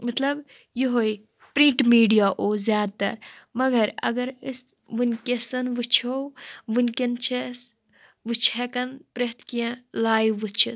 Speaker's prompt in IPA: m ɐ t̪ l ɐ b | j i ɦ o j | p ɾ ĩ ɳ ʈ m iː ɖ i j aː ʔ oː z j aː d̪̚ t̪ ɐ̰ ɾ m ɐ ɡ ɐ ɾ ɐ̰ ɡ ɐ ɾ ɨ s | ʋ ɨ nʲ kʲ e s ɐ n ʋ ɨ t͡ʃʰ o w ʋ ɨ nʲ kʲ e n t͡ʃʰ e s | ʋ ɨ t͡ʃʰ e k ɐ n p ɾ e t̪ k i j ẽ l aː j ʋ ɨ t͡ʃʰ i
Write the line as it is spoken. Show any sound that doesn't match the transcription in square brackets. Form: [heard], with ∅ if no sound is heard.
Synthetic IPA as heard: m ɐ t̪ l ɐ b | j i ɦ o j | p ɾ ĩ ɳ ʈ m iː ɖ i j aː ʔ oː z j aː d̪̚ t̪ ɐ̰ ɾ m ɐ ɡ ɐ ɾ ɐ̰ ɡ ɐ ɾ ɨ s | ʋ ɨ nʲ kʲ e s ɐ n ʋ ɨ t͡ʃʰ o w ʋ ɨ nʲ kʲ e n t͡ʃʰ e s | ʋ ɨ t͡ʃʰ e k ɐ n p ɾ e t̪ k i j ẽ l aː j ʋ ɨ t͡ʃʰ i